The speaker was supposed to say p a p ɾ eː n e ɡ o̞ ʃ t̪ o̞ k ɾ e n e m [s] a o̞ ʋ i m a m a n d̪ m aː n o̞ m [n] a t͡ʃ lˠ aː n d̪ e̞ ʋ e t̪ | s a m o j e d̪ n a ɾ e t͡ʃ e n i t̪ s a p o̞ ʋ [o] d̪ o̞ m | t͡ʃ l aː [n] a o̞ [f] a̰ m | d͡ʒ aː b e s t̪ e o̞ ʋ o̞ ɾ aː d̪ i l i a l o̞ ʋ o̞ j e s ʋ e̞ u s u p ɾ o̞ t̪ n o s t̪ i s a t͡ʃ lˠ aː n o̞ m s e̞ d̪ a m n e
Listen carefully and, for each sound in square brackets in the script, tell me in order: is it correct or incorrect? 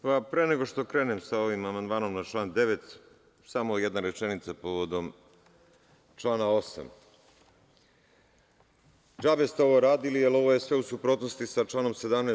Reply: correct, correct, correct, correct, incorrect: s

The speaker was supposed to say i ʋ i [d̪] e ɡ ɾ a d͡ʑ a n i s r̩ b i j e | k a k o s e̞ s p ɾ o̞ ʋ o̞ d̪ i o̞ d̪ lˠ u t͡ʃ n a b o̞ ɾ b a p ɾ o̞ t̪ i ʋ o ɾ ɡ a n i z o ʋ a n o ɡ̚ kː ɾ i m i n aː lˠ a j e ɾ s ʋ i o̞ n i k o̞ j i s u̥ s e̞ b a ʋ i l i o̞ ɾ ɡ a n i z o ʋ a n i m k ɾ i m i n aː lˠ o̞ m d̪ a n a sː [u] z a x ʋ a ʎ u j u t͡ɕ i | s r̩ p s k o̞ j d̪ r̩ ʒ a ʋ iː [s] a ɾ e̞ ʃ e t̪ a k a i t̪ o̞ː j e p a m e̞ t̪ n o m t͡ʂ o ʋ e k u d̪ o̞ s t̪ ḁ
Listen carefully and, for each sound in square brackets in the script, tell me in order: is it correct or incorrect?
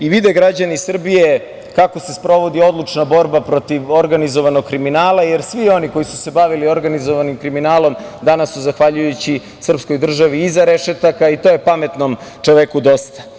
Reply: correct, correct, incorrect: z

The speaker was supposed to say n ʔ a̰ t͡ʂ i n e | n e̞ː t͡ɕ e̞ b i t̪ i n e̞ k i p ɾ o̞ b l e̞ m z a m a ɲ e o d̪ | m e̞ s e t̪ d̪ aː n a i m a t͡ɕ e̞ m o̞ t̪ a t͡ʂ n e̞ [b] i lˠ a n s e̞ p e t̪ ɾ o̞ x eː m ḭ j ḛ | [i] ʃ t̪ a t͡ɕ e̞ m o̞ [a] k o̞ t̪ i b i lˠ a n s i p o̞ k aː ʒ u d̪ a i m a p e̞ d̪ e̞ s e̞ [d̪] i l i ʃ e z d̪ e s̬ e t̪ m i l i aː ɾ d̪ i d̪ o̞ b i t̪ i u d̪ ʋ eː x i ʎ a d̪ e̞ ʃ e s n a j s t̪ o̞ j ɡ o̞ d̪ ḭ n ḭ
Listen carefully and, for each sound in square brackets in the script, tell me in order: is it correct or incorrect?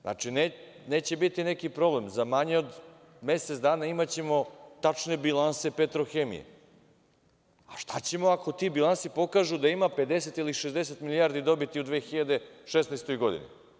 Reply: correct, incorrect: a, correct, incorrect: t̪

